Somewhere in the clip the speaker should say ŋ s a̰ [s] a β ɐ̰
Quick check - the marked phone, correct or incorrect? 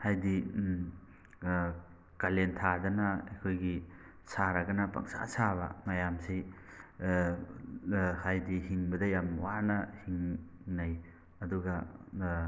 correct